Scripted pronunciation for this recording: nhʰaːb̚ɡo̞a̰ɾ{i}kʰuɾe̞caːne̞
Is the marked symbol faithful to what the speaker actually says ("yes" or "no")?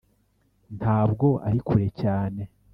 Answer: yes